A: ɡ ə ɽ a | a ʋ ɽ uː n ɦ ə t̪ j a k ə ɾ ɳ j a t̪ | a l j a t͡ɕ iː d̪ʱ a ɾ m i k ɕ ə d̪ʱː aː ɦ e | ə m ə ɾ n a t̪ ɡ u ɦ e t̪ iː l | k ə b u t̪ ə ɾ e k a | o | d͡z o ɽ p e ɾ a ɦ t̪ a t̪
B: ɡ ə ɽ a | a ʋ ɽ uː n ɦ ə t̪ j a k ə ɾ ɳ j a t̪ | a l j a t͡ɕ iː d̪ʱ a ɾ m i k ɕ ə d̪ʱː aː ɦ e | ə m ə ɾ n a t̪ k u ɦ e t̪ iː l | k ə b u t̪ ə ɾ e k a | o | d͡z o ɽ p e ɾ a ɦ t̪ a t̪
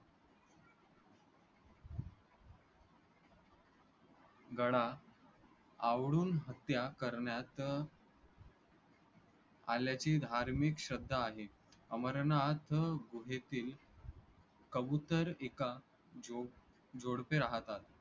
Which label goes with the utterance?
A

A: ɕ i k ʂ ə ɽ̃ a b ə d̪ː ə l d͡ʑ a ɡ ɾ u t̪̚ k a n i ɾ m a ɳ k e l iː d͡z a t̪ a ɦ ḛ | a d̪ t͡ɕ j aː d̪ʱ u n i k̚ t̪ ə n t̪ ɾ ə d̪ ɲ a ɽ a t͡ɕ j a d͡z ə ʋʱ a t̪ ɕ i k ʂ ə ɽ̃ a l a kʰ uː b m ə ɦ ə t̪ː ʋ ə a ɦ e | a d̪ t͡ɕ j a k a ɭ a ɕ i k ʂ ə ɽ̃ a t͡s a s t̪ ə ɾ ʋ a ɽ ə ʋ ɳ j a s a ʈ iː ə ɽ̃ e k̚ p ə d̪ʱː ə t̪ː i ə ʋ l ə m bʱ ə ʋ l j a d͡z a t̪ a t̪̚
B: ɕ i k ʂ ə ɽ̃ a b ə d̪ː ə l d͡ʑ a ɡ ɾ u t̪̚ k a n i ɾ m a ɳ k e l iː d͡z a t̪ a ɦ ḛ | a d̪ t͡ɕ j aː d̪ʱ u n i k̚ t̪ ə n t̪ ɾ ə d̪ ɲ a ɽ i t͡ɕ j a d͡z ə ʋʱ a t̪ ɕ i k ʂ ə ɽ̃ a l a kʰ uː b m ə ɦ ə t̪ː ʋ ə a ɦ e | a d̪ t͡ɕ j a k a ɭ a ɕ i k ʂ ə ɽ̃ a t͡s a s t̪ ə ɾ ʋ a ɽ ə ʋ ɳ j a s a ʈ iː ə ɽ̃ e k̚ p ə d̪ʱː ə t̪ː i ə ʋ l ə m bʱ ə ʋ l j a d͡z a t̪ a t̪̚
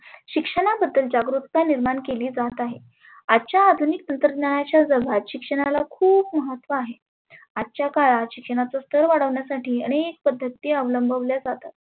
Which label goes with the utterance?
A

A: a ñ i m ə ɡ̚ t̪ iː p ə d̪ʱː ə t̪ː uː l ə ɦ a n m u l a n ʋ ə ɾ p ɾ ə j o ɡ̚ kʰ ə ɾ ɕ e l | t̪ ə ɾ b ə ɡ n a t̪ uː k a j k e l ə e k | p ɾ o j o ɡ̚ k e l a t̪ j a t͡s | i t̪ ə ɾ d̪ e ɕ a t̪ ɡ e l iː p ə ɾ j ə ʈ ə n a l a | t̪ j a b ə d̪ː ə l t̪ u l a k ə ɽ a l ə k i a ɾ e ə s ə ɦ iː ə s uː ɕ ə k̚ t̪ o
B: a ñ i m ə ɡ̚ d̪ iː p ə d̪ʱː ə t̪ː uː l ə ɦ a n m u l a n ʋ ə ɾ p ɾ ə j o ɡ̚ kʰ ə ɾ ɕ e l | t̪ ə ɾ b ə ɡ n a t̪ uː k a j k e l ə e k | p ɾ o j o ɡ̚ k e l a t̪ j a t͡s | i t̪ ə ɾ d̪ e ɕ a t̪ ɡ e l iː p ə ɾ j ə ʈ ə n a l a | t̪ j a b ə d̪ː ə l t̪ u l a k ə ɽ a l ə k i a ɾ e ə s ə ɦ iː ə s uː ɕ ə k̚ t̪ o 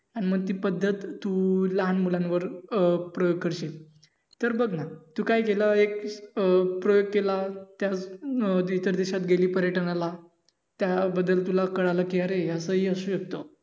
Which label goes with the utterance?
A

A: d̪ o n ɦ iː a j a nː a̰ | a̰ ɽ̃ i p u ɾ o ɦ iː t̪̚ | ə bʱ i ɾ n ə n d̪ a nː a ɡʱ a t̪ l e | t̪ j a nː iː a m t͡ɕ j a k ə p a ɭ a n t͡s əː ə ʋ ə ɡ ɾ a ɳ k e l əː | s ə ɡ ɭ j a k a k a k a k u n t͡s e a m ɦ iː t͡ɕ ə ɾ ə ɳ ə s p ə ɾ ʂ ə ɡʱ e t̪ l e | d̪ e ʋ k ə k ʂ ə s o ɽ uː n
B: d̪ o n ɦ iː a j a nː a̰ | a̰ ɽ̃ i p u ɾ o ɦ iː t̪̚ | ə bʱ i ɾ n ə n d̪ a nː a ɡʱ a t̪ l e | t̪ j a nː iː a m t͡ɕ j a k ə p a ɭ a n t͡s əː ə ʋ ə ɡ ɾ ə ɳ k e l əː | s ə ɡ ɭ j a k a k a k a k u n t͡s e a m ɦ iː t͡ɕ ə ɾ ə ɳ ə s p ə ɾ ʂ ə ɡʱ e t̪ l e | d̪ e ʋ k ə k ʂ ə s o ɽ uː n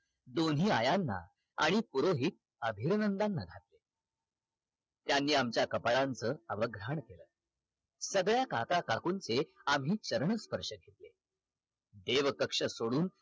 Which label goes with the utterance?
A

